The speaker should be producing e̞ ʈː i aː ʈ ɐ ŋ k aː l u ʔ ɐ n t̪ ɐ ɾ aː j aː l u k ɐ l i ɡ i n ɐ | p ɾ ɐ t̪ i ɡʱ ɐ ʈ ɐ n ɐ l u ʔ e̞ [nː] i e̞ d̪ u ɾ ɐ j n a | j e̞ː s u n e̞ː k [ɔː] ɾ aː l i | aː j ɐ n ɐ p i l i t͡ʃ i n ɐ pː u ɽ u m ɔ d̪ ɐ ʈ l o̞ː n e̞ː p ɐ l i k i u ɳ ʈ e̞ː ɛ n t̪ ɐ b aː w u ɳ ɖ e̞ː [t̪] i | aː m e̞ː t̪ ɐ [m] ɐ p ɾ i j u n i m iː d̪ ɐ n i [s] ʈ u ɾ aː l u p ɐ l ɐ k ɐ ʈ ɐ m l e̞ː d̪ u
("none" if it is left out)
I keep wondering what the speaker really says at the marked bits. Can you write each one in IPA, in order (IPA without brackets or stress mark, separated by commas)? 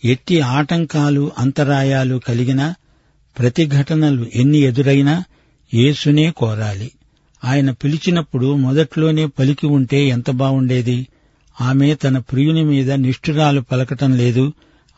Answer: nː, ɔː, d̪, n, ʂ